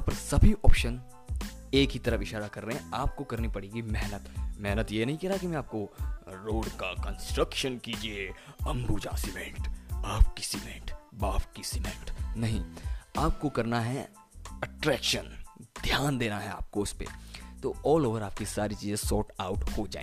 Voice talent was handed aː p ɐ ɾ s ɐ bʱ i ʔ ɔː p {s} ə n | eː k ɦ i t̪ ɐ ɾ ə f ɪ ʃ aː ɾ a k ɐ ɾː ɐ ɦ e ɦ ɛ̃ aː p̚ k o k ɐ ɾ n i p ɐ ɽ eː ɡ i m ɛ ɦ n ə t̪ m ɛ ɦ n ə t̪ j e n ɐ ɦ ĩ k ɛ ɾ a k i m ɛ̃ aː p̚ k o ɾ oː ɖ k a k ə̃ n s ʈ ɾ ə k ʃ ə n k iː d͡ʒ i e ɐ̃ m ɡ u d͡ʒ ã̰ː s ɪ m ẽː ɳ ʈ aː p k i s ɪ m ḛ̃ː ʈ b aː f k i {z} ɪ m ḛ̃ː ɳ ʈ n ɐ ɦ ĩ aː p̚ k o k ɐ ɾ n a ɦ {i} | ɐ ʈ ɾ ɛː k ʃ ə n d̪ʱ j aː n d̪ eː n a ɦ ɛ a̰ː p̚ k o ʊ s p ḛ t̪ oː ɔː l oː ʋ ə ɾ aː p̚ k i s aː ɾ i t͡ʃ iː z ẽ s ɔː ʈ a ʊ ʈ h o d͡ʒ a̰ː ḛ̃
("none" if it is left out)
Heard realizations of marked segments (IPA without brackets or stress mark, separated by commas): ʃ, s, ɛ